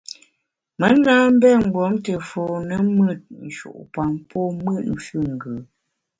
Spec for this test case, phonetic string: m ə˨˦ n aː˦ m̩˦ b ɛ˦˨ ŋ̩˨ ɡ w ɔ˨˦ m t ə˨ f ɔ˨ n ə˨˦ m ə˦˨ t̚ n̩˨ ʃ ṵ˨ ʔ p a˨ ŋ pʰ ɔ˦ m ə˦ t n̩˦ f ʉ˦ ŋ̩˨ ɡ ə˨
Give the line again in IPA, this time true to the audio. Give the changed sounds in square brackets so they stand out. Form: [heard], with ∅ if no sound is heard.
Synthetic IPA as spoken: m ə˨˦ n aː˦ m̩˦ b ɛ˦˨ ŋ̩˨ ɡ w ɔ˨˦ m t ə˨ f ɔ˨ n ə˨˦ m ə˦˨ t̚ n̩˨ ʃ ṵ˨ ʔ p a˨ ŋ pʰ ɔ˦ m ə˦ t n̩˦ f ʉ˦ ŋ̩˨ ɡ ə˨

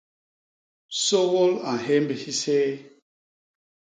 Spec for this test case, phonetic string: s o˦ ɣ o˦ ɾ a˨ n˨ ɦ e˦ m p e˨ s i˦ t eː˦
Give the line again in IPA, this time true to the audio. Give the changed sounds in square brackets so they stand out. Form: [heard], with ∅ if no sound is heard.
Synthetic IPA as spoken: s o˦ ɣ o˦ [l] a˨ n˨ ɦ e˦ m [b] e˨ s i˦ [s] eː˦

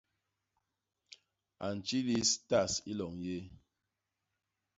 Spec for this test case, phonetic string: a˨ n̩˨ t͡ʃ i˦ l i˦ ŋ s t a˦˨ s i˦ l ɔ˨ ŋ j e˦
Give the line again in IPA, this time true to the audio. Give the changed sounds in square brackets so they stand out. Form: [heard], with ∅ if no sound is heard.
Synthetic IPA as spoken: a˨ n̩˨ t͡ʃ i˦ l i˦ [∅] s t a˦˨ s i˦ l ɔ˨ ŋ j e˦

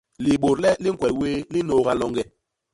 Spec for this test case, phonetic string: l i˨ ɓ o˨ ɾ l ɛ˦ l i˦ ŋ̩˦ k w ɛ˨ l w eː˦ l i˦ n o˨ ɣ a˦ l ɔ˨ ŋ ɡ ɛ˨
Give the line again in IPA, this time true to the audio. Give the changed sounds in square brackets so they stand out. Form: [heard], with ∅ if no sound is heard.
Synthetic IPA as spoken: l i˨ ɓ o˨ ɾ l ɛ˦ l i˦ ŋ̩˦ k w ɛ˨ l w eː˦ l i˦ n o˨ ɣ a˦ l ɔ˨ ŋ ɡ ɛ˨

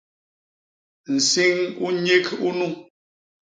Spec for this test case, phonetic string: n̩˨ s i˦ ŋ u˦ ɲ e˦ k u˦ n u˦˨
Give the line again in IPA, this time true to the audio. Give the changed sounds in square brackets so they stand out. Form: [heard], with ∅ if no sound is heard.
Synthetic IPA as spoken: n̩˨ s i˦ ŋ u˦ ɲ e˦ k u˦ n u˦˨

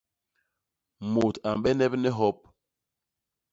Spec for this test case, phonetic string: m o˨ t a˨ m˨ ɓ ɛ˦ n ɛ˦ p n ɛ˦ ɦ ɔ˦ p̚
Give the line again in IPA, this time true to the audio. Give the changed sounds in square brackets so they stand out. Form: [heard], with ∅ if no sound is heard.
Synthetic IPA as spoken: m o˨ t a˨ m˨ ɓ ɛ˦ n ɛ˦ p n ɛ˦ ɦ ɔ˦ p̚

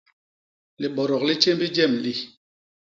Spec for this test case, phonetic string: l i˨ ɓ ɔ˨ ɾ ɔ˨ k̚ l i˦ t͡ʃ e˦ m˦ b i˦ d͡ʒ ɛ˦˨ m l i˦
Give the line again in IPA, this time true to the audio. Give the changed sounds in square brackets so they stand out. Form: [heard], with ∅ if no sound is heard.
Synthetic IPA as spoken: l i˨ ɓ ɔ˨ ɾ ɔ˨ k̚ l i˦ t͡ʃ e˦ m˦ b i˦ d͡ʒ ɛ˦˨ m l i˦

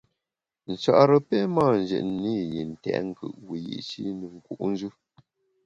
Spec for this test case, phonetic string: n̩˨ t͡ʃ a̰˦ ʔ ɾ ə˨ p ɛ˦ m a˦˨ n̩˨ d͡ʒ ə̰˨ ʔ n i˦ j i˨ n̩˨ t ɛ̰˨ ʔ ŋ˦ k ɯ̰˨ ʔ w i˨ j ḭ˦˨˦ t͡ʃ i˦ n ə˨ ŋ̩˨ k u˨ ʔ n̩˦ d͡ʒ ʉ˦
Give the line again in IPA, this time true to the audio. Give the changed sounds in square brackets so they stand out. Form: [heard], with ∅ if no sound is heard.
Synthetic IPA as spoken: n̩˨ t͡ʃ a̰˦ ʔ ɾ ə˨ p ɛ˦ m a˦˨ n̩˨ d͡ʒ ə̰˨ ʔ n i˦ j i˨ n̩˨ t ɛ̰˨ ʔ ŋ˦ k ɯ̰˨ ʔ w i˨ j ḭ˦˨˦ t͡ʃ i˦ n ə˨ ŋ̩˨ k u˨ ʔ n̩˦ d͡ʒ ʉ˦

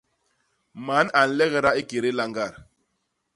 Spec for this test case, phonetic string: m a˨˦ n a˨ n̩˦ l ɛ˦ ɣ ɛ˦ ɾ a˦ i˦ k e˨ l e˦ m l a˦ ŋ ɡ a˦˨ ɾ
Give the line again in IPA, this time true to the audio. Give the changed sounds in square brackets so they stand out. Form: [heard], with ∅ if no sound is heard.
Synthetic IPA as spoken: m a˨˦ n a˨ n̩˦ l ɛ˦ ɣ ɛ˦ ɾ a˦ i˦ k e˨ [ɾ] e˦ [∅] l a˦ ŋ ɡ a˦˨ ɾ

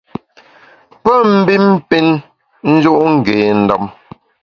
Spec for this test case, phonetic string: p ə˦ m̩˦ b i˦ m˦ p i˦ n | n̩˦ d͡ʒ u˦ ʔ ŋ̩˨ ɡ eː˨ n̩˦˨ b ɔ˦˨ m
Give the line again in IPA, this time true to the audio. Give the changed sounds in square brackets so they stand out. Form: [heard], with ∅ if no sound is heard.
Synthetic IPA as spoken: p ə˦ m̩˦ b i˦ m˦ p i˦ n | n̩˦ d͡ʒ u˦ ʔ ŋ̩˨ ɡ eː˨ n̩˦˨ [d] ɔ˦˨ m

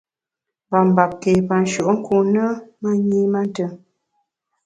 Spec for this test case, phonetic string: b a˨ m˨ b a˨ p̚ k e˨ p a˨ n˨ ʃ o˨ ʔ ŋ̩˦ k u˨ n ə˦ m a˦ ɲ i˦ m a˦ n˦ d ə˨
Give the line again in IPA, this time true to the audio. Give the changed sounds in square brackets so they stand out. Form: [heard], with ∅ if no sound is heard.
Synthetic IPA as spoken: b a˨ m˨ b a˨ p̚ k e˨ p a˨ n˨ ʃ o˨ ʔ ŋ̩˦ k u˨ n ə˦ m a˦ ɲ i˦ m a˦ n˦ [t] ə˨

